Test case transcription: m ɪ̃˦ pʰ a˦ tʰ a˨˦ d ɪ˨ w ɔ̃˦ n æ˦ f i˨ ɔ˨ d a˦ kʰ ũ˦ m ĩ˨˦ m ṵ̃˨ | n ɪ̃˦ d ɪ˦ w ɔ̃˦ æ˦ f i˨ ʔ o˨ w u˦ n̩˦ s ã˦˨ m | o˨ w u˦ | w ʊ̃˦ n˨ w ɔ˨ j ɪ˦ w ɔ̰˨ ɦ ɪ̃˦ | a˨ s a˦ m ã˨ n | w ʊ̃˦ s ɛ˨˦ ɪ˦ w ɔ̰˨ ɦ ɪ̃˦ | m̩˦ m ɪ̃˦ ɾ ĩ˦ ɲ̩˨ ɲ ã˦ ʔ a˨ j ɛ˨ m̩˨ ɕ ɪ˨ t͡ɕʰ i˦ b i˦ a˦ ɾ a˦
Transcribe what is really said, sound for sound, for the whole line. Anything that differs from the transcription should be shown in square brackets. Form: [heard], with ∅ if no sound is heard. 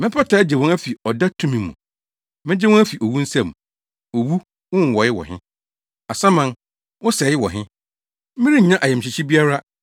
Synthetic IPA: m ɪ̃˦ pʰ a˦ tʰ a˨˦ [d͡ʑ] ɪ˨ w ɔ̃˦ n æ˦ f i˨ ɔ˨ d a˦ [tʰ] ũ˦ m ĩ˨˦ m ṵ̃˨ | [m] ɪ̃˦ [d͡ʑ] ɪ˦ w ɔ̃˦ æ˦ f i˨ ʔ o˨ w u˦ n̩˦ s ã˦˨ m | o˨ w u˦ | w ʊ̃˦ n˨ w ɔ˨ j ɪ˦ w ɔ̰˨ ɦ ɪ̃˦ | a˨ s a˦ m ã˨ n | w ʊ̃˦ s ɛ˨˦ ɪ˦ w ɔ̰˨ ɦ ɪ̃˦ | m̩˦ m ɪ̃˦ ɾ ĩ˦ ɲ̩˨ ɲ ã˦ ʔ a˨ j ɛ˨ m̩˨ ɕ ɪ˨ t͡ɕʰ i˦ b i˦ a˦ ɾ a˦